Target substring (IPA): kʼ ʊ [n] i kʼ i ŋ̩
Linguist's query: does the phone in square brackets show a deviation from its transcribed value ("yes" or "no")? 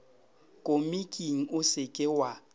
yes